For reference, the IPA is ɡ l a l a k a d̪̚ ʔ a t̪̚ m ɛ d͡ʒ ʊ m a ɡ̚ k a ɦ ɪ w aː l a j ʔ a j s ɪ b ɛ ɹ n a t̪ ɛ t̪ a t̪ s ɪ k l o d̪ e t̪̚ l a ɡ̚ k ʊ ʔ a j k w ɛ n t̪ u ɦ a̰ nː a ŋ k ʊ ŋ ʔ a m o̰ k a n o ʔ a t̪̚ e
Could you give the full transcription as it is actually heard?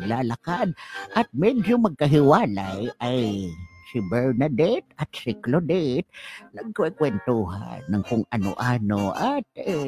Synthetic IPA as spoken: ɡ l a l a k a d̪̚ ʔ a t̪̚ m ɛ d͡ʒ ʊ m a ɡ̚ k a ɦ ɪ w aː l a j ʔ a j s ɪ b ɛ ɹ n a d̪ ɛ t̪ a t̪ s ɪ k l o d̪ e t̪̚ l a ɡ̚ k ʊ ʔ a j k w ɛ n t̪ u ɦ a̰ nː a ŋ k ʊ ŋ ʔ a n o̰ ʔ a n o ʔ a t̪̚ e